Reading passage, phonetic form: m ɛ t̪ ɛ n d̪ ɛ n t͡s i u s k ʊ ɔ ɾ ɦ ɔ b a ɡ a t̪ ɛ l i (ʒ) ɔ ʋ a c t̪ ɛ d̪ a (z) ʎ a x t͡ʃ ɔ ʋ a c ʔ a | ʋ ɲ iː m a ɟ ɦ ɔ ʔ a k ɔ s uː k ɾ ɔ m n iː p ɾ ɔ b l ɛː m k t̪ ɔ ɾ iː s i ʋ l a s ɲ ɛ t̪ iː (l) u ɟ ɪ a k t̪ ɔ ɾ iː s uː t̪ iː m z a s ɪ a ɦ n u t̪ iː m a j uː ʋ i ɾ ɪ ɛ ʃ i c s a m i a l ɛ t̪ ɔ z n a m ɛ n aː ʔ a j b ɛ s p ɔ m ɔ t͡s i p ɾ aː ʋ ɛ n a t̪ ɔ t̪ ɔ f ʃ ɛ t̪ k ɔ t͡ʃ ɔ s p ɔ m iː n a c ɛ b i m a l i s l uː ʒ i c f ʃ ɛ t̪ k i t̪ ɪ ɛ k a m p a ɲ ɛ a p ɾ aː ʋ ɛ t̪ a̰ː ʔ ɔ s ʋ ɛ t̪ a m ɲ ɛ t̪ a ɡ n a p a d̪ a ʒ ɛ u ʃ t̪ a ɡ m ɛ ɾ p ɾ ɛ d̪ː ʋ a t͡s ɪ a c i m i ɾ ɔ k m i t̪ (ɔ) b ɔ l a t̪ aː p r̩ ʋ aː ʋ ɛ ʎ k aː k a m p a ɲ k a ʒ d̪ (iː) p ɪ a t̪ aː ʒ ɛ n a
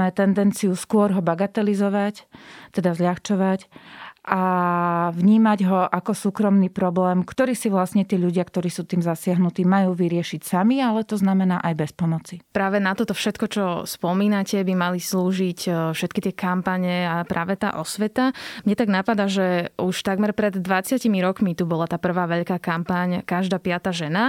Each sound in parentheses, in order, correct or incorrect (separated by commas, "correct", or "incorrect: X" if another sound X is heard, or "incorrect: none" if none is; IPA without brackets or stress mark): incorrect: z, correct, incorrect: ʎ, incorrect: u, incorrect: aː